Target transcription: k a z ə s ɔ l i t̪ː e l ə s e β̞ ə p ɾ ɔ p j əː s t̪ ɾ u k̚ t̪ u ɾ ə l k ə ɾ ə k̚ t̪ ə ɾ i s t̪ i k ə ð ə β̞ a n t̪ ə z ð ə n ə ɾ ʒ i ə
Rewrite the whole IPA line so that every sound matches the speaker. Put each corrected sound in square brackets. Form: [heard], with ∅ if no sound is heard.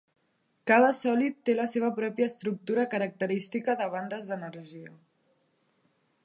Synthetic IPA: k a [ð] ə s ɔ l i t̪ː e l ə s e β̞ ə p ɾ ɔ p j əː s t̪ ɾ u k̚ t̪ u ɾ ə [∅] k ə ɾ ə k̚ t̪ ə ɾ i s t̪ i k ə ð ə β̞ a n [d̪] ə z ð ə n ə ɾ ʒ i ə